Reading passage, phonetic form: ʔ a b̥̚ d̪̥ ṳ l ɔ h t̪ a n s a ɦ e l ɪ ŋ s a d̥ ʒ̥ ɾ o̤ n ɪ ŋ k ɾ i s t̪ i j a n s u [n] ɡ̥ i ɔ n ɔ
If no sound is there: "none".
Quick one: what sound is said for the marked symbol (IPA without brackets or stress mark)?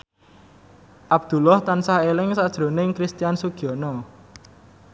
none